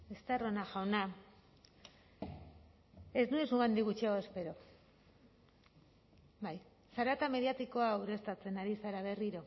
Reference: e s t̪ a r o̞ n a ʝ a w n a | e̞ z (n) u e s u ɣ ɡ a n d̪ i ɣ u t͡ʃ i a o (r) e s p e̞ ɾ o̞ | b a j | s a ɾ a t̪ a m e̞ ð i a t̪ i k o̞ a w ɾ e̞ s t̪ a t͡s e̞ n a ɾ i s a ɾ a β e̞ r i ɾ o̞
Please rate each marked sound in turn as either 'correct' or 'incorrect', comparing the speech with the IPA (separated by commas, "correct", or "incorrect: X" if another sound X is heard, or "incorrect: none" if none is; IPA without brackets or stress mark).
correct, incorrect: none